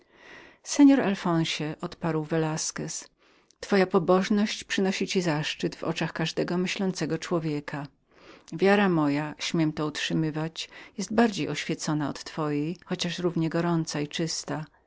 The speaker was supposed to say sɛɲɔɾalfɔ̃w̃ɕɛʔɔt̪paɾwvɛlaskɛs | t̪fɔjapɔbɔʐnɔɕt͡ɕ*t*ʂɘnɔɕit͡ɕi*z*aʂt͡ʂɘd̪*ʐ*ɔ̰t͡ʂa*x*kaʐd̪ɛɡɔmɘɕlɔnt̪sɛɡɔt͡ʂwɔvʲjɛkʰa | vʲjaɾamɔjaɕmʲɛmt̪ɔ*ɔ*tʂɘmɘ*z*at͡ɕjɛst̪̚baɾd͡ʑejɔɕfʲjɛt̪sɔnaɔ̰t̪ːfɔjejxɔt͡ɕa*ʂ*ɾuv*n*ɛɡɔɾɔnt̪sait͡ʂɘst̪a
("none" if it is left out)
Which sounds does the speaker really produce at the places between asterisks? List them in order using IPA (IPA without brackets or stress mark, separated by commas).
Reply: p, z, v, x, u, v, ʂ, ɲ